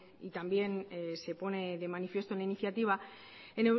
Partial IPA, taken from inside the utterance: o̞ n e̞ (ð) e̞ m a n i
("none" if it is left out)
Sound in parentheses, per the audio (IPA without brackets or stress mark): ð